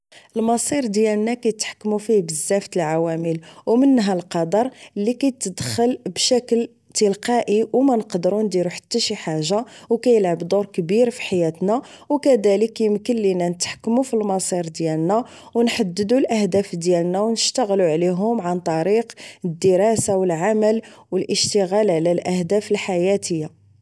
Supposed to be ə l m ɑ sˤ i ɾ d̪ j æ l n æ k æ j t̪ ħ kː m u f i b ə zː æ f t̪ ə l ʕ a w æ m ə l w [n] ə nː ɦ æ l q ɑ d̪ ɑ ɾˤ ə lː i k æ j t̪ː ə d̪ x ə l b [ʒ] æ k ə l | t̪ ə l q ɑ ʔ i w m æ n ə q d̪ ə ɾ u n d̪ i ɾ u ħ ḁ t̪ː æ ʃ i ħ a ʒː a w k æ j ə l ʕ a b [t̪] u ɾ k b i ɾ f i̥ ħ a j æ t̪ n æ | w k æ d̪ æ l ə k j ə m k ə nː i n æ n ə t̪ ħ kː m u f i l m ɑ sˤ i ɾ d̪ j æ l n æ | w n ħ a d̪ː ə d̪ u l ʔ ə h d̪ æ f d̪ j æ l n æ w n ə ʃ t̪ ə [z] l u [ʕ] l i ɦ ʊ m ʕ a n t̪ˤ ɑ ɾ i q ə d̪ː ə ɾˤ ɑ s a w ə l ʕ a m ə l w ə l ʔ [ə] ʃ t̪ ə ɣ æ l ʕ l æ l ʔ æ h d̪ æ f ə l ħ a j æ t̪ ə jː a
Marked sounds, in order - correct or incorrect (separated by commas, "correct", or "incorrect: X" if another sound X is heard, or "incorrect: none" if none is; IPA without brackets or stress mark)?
incorrect: m, incorrect: ʃ, incorrect: d̪, incorrect: ɣ, correct, correct